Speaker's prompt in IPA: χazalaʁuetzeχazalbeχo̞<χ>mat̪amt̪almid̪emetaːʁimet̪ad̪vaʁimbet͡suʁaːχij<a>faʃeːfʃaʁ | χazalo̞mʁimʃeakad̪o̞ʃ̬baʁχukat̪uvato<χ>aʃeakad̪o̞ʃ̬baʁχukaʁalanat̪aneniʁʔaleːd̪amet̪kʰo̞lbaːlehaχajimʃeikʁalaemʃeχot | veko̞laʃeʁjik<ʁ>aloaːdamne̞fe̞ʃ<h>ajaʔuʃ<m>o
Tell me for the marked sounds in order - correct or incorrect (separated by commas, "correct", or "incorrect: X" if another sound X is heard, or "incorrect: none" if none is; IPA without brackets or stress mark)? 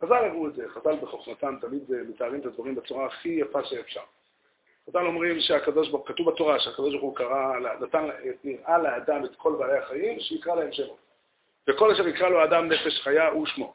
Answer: correct, correct, incorrect: ʁ, correct, incorrect: χ, correct